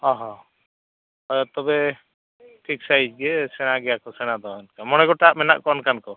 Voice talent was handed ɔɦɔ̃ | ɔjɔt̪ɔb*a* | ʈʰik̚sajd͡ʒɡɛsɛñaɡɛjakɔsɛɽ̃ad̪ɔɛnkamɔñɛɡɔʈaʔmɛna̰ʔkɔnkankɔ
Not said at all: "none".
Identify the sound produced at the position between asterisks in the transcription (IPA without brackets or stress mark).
ɛ